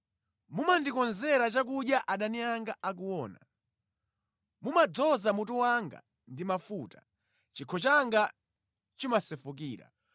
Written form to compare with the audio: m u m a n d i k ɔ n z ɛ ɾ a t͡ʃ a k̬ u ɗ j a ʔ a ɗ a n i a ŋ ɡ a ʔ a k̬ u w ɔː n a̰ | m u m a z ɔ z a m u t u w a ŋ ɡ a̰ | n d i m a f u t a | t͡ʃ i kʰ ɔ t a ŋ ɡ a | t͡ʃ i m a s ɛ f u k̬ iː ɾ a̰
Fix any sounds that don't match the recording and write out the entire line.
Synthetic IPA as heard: m u m a n d i k ɔ n z ɛ ɾ a t͡ʃ a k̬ u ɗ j a ʔ a ɗ a n i a ŋ ɡ a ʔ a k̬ u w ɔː n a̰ | m u m a d͡z ɔ z a m u t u w a ŋ ɡ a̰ | n d i m a f u t a | t͡ʃ i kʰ ɔ t͡ʃ a ŋ ɡ a | t͡ʃ i m a s ɛ f u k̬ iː ɾ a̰